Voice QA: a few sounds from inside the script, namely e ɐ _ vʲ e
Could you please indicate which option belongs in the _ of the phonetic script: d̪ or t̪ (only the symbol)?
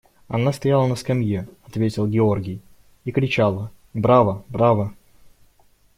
t̪